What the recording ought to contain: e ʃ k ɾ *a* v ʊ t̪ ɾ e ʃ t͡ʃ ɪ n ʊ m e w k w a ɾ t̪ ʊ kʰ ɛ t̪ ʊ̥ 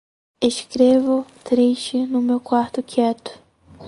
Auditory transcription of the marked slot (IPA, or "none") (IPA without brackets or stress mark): e